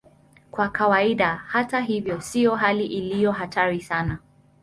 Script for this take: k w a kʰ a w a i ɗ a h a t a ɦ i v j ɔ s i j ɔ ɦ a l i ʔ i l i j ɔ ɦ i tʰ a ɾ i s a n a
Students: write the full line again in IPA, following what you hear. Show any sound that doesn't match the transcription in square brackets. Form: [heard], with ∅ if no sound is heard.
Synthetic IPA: k w a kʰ a w a i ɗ a h a t a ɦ i v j ɔ s i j ɔ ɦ a l i ʔ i l i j ɔ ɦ [a] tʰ a ɾ i s a n a